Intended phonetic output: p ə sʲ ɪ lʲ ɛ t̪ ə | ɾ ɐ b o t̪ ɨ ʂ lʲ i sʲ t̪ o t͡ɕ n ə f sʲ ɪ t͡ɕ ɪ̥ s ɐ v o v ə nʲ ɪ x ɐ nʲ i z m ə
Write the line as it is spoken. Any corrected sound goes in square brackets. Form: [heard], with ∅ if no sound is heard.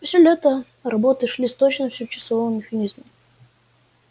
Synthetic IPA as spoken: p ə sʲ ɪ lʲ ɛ t̪ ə | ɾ ɐ b o t̪ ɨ ʂ lʲ i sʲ t̪ o t͡ɕ n ə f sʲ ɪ t͡ɕ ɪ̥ s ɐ v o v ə [mʲ] ɪ x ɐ nʲ i z m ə